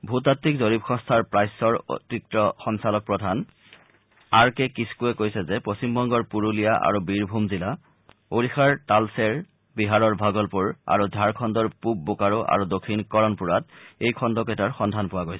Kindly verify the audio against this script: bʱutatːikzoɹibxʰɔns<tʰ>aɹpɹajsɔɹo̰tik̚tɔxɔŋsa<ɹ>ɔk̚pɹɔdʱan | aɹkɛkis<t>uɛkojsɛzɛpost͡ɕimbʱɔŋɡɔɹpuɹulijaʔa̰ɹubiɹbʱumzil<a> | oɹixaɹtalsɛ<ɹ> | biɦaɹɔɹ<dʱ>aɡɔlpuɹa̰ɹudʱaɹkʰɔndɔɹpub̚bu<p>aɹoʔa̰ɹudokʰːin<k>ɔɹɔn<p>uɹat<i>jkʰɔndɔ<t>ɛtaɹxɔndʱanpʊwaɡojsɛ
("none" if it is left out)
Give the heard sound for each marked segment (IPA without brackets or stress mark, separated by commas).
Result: tʰ, l, k, a, ɹ, bʱ, k, k, p, e, k